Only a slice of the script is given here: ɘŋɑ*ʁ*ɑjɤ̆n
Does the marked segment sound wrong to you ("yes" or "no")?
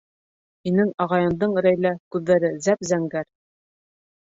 no